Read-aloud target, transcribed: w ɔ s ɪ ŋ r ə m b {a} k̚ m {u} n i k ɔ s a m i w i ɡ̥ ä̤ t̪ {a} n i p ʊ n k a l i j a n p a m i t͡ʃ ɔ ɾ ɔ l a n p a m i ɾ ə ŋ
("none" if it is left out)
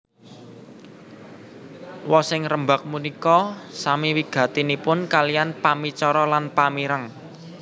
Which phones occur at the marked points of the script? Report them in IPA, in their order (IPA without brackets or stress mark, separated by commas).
a, u, i